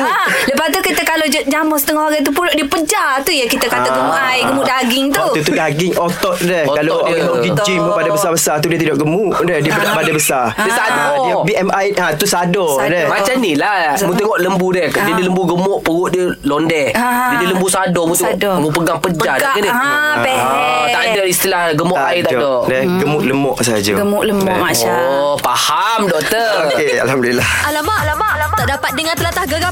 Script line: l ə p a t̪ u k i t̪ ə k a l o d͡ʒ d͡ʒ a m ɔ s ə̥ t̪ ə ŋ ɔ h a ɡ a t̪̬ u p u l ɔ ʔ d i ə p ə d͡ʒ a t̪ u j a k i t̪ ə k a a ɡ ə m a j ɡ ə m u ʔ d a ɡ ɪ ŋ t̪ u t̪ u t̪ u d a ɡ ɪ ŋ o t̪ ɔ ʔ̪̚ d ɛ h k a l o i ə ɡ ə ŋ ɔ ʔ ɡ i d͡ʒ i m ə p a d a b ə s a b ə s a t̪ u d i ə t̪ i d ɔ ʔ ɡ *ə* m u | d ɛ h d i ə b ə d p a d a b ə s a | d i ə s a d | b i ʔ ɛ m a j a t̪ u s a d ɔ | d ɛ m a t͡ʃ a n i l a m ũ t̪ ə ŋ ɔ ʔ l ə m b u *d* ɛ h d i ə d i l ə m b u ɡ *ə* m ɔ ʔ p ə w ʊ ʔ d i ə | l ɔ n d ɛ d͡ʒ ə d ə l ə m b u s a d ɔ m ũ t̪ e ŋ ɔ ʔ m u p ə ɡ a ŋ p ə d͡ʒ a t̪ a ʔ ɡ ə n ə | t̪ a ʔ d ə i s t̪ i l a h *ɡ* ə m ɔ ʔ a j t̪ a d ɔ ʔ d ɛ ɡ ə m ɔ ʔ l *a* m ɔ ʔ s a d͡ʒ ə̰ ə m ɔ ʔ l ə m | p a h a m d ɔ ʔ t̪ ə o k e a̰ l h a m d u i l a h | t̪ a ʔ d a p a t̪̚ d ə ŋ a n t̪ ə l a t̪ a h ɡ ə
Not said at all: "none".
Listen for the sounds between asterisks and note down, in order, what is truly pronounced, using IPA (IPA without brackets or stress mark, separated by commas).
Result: ə, d, ə, ɡ, ə